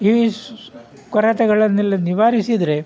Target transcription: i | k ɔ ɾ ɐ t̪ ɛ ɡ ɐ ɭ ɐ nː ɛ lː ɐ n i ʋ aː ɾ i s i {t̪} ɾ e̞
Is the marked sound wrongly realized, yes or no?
yes